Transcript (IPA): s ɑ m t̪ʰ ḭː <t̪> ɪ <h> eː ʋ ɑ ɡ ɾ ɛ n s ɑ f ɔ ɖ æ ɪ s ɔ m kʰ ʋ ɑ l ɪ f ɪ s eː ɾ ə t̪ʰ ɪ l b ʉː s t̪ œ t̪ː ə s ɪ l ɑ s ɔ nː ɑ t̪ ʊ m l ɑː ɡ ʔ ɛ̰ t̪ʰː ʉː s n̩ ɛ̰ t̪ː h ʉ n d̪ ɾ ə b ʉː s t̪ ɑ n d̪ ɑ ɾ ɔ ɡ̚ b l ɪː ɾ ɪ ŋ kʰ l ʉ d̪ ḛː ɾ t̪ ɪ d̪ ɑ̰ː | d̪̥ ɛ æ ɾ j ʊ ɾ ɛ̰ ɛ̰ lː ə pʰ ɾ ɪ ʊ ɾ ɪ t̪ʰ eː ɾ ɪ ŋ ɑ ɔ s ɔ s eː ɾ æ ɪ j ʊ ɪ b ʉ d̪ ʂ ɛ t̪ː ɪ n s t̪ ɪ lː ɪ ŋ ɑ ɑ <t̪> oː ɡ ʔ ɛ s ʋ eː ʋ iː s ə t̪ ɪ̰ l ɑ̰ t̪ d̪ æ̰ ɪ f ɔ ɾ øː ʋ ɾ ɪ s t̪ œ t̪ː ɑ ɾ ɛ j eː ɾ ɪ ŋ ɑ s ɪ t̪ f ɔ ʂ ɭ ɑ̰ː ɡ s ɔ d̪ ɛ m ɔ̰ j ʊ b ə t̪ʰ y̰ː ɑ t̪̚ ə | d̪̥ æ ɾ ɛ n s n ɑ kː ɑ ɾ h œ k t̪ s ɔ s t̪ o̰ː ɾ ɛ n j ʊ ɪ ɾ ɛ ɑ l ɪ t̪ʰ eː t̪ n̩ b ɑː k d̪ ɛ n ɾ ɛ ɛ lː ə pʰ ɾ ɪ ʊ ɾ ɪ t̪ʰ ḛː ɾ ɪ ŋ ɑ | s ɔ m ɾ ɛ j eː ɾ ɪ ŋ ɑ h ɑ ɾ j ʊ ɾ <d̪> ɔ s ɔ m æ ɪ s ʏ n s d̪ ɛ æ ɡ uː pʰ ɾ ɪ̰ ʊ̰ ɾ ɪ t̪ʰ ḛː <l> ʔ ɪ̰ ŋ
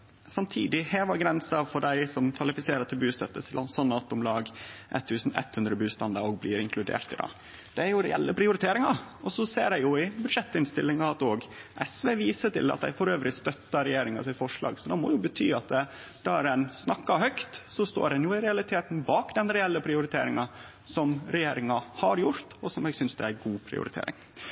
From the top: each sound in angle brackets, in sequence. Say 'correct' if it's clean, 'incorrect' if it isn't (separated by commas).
incorrect, correct, correct, incorrect, incorrect